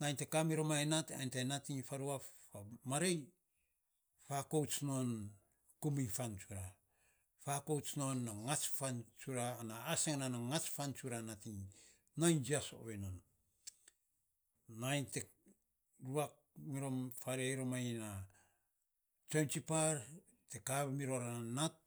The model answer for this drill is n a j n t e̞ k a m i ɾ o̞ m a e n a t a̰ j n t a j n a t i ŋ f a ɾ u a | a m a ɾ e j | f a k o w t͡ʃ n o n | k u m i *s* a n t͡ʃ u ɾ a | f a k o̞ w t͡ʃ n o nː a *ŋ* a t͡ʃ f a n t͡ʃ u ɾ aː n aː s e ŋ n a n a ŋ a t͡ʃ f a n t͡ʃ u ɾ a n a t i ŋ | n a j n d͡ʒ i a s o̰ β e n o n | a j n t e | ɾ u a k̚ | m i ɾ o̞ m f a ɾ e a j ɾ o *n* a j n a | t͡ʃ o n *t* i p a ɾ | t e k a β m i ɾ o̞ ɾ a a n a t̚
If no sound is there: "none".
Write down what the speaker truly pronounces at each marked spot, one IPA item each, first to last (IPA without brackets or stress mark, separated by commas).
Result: f, ŋ, m, t͡ʃ